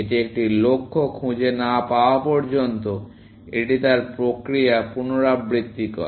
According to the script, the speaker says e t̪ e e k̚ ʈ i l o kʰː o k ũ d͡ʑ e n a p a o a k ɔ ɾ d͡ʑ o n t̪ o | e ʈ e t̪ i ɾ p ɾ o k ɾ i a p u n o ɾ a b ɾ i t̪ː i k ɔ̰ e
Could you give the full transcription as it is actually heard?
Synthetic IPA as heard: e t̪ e e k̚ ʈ i l o kʰː o kʰ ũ d͡ʑ e n a p a o a p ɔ ɾ d͡ʑ o n t̪ o | e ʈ i t̪ a ɾ p ɾ o k ɾ i a p u n o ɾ a b ɾ i t̪ː i k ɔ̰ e